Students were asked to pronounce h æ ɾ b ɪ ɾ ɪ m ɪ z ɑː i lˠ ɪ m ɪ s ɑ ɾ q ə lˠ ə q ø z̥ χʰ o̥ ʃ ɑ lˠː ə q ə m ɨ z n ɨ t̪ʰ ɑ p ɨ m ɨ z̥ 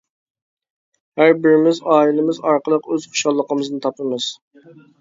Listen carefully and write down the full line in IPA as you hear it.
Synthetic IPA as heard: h æ ɾ b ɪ ɾ ɪ m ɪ z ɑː i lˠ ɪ m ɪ z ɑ ɾ q ə lˠ ə q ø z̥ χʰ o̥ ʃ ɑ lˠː ə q ə m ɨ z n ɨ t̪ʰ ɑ p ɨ m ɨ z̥